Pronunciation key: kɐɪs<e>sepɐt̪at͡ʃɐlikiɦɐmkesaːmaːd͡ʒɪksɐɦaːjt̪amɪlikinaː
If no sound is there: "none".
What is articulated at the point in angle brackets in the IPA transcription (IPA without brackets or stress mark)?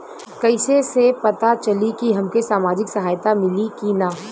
e